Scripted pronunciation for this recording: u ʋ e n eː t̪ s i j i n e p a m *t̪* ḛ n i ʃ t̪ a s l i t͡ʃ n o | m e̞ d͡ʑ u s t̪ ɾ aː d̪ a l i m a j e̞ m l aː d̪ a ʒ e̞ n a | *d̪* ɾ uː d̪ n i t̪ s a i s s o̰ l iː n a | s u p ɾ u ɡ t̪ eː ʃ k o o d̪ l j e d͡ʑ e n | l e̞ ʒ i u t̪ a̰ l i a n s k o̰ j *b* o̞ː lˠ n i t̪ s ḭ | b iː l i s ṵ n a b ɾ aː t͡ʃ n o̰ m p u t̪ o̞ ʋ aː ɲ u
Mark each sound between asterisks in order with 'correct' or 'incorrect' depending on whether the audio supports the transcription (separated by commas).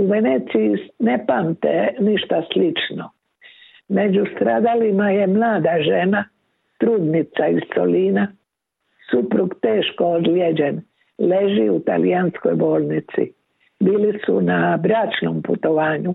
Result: correct, incorrect, correct